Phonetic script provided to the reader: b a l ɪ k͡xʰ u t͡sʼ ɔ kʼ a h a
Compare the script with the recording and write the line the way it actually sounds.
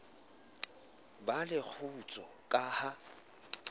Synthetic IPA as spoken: b a l ɪ k͡xʰ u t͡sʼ ɔ kʼ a h a